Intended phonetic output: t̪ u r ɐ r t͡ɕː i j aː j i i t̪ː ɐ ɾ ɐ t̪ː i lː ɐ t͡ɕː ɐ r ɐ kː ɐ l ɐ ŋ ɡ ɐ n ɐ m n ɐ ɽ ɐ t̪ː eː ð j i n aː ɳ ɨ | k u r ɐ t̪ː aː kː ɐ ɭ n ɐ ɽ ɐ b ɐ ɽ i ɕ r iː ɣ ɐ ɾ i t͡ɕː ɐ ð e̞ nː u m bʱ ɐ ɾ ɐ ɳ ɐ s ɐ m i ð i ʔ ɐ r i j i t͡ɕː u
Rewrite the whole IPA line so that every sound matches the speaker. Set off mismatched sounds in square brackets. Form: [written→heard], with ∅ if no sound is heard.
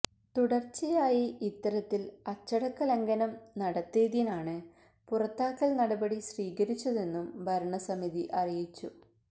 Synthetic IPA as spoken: t̪ u [r→ɽ] ɐ r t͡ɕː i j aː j i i t̪ː ɐ ɾ ɐ t̪ː i [lː→l] ɐ t͡ɕː ɐ [r→ɽ] ɐ kː ɐ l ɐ ŋ ɡ ɐ n ɐ m n ɐ ɽ ɐ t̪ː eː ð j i n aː ɳ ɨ | [k→p] u r ɐ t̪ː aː kː ɐ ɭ n ɐ ɽ ɐ b ɐ ɽ i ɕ r iː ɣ ɐ ɾ i t͡ɕː ɐ ð e̞ nː u m bʱ ɐ ɾ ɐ ɳ ɐ s ɐ m i ð i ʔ ɐ r i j i t͡ɕː u